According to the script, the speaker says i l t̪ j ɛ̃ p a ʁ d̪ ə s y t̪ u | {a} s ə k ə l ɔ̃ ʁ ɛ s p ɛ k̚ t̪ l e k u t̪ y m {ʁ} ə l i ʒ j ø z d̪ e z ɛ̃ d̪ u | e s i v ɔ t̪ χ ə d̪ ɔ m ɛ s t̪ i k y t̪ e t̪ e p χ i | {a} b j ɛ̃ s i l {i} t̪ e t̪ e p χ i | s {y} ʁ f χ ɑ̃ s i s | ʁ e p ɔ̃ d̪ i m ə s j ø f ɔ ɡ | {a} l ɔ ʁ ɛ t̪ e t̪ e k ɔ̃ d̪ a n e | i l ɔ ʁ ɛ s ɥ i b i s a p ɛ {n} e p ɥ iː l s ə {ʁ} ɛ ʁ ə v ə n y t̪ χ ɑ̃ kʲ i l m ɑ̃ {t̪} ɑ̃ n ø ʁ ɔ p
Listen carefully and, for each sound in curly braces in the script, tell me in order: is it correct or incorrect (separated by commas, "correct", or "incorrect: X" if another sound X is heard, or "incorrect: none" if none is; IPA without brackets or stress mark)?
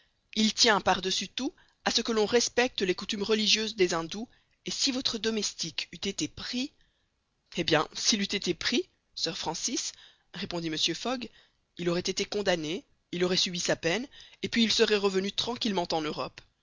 correct, correct, incorrect: e, incorrect: y, incorrect: œ, incorrect: i, correct, correct, correct